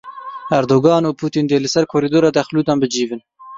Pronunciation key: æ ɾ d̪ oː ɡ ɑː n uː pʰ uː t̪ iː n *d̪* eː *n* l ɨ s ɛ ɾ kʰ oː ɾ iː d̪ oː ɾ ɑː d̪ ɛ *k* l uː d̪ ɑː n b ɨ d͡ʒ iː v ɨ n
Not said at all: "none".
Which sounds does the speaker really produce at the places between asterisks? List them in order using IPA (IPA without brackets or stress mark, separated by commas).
d̪, none, x